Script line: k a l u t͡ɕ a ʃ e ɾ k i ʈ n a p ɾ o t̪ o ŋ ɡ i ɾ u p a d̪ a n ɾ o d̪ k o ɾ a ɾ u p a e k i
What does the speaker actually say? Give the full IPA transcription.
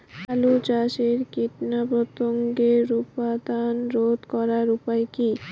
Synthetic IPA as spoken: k a l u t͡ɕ a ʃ e ɾ k i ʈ n a p ɾ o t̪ o ŋ ɡ e ɾ u p a d̪ a n ɾ o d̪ k ɔ ɾ a ɾ u p a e k i